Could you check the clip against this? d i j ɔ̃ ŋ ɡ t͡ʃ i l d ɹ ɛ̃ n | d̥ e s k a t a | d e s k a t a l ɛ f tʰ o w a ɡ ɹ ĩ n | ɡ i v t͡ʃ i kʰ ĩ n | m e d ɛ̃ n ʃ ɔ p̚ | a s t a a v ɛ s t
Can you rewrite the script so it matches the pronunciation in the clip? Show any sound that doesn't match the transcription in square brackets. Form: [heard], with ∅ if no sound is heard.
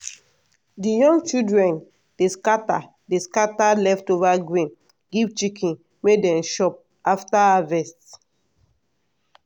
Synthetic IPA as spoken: d i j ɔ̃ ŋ ɡ t͡ʃ i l d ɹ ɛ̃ n | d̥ e s k a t a | d e s k a t a l ɛ f [t] o [v] a ɡ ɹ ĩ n | ɡ i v t͡ʃ i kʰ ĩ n | m e d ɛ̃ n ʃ ɔ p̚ | a [f] t a a v ɛ s t